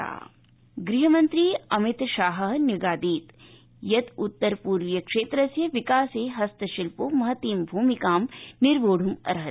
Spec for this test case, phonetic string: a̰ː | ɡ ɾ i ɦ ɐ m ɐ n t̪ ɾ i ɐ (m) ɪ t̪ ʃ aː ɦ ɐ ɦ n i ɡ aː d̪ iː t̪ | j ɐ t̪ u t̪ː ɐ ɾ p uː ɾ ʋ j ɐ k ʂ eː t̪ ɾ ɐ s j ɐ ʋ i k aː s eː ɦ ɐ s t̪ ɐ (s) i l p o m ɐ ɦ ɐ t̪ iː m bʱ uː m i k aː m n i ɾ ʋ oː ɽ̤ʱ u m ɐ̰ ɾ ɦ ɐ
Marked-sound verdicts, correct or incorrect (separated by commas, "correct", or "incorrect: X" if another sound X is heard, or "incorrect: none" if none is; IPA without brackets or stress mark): correct, incorrect: ʃ